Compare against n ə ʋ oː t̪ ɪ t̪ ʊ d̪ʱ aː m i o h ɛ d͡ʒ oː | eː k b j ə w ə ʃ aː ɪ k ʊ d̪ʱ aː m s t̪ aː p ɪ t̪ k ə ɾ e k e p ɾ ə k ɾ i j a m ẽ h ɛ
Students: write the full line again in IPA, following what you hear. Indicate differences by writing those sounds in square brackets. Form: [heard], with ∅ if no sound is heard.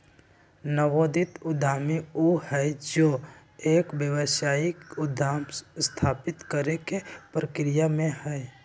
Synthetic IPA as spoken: n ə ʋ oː [d̪] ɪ t̪ ʊ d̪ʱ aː m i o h ɛ d͡ʒ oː | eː k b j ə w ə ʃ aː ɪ k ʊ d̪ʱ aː m s [t̪ʰ] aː p ɪ t̪ k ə ɾ e k e p ɾ ə k ɾ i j a m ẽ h ɛ

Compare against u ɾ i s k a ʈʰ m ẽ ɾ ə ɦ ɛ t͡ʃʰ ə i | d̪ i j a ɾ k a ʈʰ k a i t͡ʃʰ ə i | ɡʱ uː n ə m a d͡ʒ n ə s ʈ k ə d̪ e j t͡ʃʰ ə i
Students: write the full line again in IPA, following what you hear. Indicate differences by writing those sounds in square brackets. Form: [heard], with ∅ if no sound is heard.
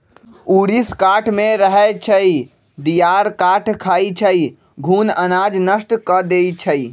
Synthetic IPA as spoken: u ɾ i s k a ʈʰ m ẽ ɾ ə ɦ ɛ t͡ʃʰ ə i | d̪ i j a ɾ k a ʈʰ [kʰ] a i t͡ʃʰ ə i | ɡʱ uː n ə [n] a d͡ʒ n ə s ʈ k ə d̪ e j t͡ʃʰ ə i

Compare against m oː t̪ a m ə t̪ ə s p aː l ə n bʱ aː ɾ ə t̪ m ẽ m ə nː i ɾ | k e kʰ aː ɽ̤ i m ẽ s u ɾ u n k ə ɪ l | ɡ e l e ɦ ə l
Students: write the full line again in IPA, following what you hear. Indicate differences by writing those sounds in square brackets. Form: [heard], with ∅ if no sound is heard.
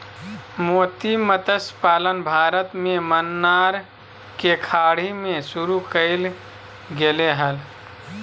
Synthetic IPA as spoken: m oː t̪ [i] m ə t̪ ə s p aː l ə n bʱ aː ɾ ə t̪ m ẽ m ə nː [a] ɾ | k e kʰ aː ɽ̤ i m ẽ s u ɾ u [∅] k ə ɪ l | ɡ e l e ɦ ə l

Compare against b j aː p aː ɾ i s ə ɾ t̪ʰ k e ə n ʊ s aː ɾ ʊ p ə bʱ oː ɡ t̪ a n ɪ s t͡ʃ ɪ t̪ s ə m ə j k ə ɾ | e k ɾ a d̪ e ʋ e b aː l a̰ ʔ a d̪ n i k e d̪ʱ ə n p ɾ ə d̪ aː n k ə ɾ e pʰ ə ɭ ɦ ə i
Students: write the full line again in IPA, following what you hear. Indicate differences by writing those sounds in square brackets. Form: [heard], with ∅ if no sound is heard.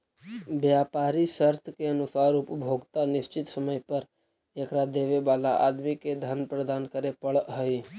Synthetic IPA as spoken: b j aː p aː ɾ i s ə ɾ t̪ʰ k e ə n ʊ s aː ɾ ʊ p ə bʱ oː ɡ t̪ a n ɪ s t͡ʃ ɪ t̪ s ə m ə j [p] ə ɾ | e k ɾ a d̪ e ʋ e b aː l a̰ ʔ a d̪ [m] i k e d̪ʱ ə n p ɾ ə d̪ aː n k ə ɾ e [p] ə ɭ ɦ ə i

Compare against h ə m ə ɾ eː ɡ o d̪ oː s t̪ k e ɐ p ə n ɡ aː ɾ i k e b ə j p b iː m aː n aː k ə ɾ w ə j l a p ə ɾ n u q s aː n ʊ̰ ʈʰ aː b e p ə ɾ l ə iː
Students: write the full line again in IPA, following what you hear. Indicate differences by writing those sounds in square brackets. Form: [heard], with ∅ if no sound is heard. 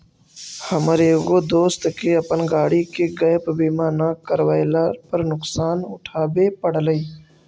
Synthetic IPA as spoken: h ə m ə ɾ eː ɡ o d̪ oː s t̪ k e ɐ p ə n ɡ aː [ɽ] i k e [ɡ] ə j p b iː m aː n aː k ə ɾ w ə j l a p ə ɾ n [ʊ] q s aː n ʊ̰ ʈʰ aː b e p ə [ɽ] l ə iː

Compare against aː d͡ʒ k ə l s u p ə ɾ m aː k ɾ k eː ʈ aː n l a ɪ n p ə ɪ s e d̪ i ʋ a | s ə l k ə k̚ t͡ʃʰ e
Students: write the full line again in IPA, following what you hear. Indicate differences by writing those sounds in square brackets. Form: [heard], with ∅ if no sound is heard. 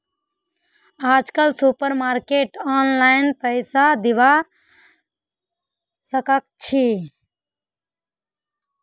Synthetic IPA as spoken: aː d͡ʒ k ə l s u p ə ɾ m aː [∅] ɾ k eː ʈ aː n l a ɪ n p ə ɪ s [a] d̪ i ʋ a | s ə [∅] k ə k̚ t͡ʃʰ [i]

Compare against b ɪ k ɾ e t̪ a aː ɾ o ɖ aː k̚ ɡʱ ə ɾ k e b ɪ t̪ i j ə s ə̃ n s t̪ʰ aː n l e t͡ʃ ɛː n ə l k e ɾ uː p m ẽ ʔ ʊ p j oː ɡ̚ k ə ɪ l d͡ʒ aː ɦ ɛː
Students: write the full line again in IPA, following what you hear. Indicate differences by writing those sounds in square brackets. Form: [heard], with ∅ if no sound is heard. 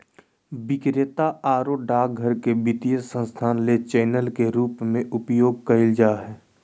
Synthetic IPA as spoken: b ɪ k ɾ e t̪ a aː ɾ o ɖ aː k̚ ɡʱ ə ɾ k e b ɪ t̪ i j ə s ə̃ n s t̪ʰ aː n l e t͡ʃ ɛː n ə l k e ɾ uː p m ẽ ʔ ʊ p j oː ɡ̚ k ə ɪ l d͡ʒ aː ɦ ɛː

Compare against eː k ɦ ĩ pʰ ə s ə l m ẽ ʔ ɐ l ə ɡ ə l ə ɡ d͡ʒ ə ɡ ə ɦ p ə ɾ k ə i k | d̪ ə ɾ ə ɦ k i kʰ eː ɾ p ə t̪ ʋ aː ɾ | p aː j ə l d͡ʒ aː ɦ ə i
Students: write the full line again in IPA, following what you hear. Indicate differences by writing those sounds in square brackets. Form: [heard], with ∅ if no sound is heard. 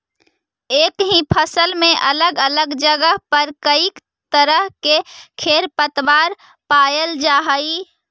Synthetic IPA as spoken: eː k ɦ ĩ pʰ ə s ə l m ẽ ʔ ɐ l ə ɡ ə l ə ɡ d͡ʒ ə ɡ ə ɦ p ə ɾ k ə i k | [t̪] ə ɾ ə ɦ k [e] kʰ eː ɾ p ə t̪ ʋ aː ɾ | p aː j ə l d͡ʒ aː ɦ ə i

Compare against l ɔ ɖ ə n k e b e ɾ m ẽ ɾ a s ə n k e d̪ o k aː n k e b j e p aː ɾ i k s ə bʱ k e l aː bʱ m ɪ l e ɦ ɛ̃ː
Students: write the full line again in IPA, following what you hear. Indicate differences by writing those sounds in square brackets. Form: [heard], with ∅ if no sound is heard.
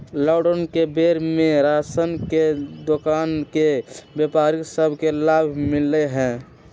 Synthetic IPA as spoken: l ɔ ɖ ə n k e b e ɾ m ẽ ɾ a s ə n k e d̪ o k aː n k e b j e p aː ɾ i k s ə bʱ k e l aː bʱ m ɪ l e ɦ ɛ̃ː

